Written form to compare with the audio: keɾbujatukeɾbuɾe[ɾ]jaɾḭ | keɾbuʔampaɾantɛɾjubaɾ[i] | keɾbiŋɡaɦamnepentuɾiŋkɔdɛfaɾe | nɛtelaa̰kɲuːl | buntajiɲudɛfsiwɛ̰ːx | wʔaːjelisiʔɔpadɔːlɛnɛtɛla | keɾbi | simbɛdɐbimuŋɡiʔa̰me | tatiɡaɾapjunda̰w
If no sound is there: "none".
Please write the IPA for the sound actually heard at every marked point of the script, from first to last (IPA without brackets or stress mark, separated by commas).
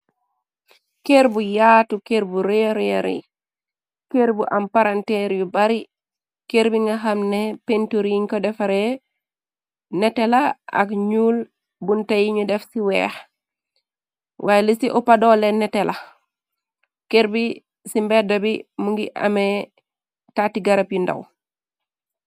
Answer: ɾ, i